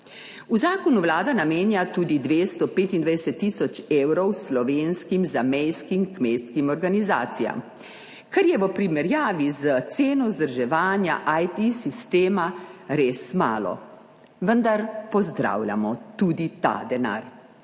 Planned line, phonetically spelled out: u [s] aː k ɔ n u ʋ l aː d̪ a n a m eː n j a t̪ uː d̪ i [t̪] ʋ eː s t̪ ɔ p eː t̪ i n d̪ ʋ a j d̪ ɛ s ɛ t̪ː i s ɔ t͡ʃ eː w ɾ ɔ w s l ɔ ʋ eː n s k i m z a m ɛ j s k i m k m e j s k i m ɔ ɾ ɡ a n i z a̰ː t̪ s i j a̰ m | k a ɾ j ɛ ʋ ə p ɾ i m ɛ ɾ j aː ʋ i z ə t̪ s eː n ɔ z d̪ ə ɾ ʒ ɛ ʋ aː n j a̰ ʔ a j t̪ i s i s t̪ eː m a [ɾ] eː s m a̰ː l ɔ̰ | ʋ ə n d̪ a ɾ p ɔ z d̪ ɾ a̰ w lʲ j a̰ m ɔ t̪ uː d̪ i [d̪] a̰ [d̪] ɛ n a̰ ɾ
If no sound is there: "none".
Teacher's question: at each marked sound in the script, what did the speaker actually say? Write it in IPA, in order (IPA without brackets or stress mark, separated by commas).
z, d̪, ɾ, t̪, d̪